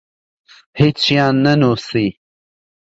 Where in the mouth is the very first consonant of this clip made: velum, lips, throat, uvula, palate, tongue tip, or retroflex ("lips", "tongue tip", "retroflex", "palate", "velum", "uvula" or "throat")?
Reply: throat